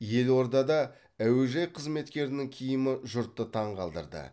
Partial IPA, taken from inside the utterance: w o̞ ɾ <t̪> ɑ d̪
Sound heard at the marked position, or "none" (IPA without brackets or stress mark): d̪